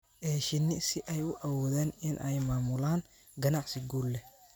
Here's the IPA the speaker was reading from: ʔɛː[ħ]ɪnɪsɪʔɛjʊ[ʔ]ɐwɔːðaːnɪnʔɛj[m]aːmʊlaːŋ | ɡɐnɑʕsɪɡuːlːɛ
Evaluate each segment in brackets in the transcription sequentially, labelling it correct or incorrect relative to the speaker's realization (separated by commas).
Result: incorrect, correct, correct